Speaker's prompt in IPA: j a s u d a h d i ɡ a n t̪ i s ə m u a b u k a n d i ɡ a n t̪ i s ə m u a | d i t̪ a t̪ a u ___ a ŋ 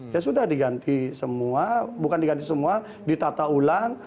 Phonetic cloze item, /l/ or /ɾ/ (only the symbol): l